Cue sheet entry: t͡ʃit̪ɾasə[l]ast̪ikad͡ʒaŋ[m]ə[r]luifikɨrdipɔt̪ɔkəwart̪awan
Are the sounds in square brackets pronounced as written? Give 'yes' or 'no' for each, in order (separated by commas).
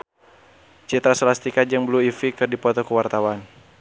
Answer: yes, no, no